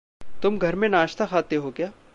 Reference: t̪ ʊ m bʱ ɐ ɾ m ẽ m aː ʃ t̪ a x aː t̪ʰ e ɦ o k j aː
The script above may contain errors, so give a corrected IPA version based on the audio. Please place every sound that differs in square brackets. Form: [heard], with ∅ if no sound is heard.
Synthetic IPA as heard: t̪ ʊ m [ɡʱ] ɐ ɾ m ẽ [n] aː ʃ t̪ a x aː [t̪] e ɦ o k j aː